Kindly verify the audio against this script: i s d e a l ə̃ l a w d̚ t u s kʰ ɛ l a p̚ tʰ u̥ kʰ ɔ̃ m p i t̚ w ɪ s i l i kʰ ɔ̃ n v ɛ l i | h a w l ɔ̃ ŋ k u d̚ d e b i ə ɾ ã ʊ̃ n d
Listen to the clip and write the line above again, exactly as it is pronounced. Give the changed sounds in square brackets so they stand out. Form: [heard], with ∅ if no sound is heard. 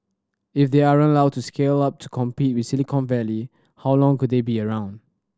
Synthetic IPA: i [f] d e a [ɹ] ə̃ l a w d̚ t u s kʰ [e] l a p̚ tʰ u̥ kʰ ɔ̃ m p i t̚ w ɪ s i l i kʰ ɔ̃ n v ɛ l i | h a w l ɔ̃ ŋ k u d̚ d e b i ə [ɹ] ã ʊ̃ n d